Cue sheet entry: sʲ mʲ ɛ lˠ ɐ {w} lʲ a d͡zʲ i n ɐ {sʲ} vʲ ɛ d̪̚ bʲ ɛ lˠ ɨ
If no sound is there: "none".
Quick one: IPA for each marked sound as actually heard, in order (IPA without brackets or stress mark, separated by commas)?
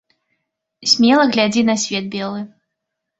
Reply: ɣ, sʲ